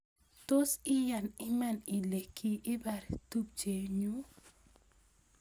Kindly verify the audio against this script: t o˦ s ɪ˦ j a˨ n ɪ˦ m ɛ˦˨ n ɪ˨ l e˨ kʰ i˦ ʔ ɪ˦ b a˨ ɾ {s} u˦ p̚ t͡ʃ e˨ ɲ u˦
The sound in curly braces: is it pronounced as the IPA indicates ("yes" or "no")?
no